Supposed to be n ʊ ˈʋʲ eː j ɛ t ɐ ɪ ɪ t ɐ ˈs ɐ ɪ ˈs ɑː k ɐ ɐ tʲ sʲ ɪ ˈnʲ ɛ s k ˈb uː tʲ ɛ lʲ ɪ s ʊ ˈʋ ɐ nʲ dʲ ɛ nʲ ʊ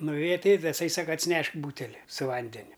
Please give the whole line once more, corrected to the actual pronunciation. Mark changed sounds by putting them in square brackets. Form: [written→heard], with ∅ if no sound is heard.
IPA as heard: n ʊ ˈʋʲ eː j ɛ t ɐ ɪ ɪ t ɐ ˈs ɐ ɪ ˈs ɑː k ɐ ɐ tʲ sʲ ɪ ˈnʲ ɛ [s→ʃ] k ˈb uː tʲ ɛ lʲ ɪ s ʊ ˈʋ ɐ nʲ dʲ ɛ nʲ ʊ